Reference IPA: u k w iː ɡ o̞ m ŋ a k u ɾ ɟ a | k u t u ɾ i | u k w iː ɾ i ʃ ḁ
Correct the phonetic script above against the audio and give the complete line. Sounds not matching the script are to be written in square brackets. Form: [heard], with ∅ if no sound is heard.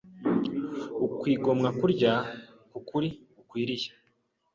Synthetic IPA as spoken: u k w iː ɡ o̞ m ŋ a k u ɾ ɟ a | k u [k] u ɾ i | u k w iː ɾ i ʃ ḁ